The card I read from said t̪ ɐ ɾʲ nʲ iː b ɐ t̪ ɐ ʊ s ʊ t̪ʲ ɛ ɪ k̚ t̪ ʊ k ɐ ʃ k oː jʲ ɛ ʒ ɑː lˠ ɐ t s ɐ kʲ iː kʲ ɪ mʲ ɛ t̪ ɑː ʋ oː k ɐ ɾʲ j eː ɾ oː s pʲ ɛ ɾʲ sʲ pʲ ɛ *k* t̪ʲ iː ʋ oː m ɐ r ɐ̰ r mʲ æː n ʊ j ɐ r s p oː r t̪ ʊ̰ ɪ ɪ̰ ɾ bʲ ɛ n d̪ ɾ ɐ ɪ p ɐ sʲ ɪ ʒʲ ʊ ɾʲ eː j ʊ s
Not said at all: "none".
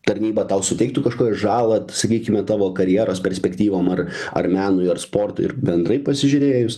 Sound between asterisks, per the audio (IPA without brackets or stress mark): k